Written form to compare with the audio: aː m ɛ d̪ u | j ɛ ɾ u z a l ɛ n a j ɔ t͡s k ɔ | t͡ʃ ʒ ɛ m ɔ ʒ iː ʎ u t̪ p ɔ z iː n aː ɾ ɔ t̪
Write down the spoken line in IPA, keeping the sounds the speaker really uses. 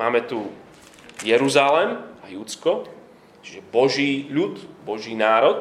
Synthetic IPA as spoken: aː m ɛ t̪ u | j ɛ ɾ u z a l ɛ m a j u t͡s k ɔ | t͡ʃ ʒ ɛ b ɔ ʒ iː ʎ u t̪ b ɔ ʒ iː n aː ɾ ɔ t̪